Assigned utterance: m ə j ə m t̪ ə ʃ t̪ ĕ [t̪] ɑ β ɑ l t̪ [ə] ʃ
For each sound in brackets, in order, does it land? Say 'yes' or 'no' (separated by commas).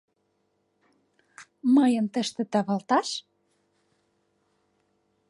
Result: yes, no